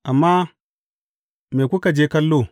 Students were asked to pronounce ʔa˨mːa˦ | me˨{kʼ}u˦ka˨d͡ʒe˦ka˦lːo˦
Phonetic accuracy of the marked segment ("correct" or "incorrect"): incorrect